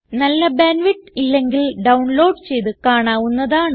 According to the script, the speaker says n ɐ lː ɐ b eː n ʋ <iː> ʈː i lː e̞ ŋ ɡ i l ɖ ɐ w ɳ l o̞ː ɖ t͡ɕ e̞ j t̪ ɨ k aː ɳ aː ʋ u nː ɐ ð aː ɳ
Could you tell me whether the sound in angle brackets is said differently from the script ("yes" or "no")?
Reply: yes